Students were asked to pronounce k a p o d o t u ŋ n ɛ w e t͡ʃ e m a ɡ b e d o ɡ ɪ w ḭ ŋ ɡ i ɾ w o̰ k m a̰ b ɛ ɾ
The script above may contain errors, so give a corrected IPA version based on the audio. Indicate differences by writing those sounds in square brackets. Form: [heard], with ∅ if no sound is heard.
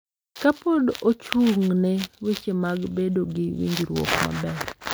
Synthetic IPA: k a p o d o [t͡ʃ] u ŋ n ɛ w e t͡ʃ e m a ɡ b e d o ɡ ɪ w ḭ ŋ ɡ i ɾ w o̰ k m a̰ b ɛ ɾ